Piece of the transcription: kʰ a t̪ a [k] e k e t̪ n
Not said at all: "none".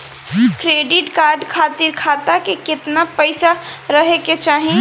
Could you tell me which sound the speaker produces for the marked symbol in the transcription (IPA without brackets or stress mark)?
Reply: k